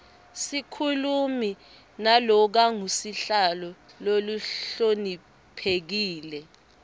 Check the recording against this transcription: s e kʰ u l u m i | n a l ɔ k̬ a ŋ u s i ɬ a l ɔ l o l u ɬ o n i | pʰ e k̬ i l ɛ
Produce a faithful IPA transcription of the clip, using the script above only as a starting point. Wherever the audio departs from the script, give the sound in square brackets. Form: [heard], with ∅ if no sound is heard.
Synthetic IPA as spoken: s [i] kʰ u l u m i | n a l ɔ k̬ a ŋ u s i ɬ a l ɔ l o l u ɬ o n i | pʰ e k̬ [iː] l ɛ